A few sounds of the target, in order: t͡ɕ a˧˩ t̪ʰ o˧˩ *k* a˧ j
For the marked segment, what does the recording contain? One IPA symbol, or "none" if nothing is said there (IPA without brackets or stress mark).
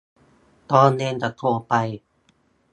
p